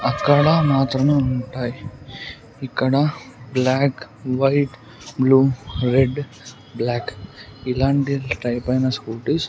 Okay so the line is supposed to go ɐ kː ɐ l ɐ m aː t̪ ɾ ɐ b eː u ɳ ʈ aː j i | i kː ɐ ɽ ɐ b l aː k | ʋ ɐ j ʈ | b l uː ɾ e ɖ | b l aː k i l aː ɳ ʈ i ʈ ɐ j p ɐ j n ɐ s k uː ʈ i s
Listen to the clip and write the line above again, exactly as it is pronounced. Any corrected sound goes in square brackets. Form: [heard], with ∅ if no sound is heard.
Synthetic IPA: ɐ kː ɐ [ɽ] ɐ m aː t̪ ɾ ɐ [m] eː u ɳ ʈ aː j i | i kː ɐ ɽ ɐ b l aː k | ʋ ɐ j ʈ | b l uː ɾ e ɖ | b l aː k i l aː ɳ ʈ i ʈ ɐ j p ɐ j n ɐ s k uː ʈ i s